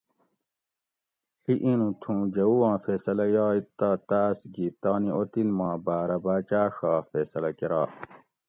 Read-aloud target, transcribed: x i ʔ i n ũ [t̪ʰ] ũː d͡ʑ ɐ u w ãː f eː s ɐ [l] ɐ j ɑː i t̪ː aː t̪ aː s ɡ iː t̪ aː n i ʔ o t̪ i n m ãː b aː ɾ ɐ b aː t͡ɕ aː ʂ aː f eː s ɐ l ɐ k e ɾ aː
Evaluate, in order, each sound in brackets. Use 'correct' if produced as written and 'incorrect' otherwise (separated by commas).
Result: correct, correct